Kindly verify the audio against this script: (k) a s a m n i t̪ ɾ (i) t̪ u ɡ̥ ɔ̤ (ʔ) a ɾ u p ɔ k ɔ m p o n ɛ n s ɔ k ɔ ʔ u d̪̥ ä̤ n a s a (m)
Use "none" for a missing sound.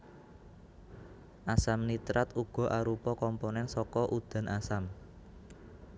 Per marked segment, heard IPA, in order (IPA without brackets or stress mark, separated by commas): ʔ, a, ʔ, m